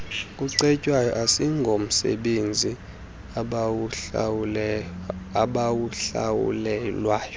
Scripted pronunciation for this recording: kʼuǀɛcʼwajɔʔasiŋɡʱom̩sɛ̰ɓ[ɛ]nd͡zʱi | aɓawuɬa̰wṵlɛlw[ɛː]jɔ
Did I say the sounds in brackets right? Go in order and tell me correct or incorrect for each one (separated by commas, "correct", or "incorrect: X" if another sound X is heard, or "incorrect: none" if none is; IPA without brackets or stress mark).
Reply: incorrect: e, incorrect: aː